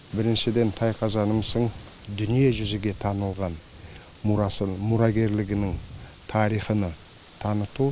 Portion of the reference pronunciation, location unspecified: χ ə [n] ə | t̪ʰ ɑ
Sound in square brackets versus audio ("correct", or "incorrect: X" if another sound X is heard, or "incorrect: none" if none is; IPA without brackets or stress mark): correct